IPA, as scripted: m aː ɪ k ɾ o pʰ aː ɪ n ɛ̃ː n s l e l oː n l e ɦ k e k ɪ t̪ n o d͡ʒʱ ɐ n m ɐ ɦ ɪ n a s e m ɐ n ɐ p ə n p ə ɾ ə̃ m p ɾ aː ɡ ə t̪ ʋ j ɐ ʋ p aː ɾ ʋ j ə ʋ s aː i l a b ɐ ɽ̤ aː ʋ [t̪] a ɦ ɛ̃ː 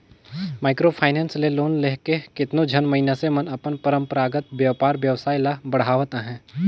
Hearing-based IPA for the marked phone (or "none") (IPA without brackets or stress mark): t̪